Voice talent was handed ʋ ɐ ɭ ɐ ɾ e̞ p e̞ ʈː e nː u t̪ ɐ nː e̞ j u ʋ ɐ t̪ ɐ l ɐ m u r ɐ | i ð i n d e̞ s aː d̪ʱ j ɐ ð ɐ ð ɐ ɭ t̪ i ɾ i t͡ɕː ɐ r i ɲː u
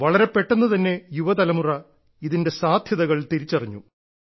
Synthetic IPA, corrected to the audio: ʋ ɐ ɭ ɐ ɾ e̞ p e̞ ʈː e nː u t̪ ɐ nː e̞ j u ʋ ɐ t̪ ɐ l ɐ m u r ɐ | i ð i n d e̞ s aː d̪ʱ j ɐ ð ɐ ɣ ɐ ɭ t̪ i ɾ i t͡ɕː ɐ r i ɲː u